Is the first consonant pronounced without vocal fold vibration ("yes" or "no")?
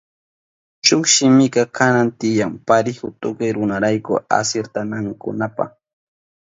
yes